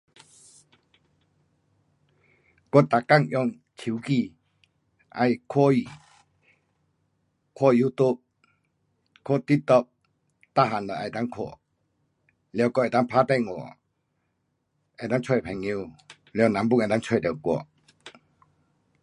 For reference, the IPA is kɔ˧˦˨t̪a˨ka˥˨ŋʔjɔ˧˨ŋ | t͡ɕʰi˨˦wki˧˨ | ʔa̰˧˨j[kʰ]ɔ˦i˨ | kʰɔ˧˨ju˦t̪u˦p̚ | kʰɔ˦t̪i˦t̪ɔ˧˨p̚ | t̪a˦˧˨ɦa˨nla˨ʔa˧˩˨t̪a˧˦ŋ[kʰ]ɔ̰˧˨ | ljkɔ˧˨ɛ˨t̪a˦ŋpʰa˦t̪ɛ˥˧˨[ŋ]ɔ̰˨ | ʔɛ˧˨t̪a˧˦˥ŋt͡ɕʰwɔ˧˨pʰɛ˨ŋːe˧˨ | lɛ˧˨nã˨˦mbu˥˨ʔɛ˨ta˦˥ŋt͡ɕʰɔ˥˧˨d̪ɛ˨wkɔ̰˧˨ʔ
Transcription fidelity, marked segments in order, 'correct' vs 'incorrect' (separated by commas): correct, correct, correct